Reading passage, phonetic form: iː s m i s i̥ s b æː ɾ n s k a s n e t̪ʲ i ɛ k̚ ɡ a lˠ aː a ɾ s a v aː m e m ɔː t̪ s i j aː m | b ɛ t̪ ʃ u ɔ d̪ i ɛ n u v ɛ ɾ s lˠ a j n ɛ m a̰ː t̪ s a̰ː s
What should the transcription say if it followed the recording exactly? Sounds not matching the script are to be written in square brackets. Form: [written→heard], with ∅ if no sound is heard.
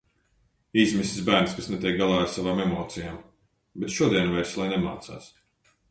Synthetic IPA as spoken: iː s m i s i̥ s b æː ɾ n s k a s n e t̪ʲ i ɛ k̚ ɡ a lˠ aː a ɾ s a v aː m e m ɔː t̪ s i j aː m | b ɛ t̪ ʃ u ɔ d̪ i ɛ n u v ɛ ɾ s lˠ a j n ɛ m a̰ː t̪ s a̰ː s

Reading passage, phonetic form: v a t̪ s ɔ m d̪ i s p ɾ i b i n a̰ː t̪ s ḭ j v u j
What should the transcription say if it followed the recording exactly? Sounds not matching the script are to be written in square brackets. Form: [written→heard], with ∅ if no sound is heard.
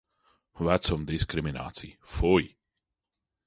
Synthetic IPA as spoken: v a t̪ s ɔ m d̪ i s [p→k] ɾ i [b→m] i n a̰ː t̪ s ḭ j [v→f] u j

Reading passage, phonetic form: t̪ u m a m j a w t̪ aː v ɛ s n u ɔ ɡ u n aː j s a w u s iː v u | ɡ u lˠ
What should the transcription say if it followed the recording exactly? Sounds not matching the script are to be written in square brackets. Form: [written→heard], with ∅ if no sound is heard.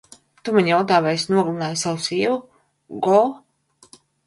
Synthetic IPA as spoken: t̪ u m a [m→ɲ] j a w t̪ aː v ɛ s n u ɔ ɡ u n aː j s a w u s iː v u | ɡ [u→ɔ] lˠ

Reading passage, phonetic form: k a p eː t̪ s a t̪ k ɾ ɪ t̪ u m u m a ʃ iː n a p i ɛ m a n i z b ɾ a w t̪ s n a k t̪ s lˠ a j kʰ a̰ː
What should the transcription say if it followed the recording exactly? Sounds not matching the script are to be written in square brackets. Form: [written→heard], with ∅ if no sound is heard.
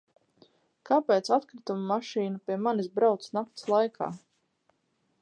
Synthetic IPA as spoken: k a p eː t̪ s a t̪ k ɾ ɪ t̪ u m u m a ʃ iː n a p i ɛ m a n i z b ɾ a w t̪ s n a k t̪ s lˠ a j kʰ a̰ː

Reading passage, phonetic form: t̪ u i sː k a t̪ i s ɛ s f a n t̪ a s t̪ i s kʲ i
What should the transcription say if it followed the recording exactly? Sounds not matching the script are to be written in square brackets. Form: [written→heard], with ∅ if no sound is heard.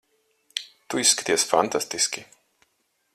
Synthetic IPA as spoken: t̪ u i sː k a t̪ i [s→∅] ɛ s f a n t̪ a s t̪ i s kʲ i

